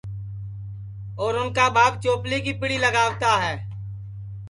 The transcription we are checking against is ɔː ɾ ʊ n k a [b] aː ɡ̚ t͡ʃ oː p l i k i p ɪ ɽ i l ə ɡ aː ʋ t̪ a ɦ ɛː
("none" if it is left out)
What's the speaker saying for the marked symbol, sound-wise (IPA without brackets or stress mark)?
b